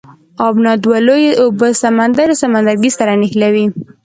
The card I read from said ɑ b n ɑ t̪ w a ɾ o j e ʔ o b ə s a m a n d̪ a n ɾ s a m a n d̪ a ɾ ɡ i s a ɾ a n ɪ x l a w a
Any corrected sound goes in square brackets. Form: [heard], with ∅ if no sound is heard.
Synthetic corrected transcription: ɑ b n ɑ [d̪] w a [l] o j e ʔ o b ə s a m a n d̪ a [∅] ɾ s a m a n d̪ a ɾ ɡ i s a ɾ a n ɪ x l a w [i]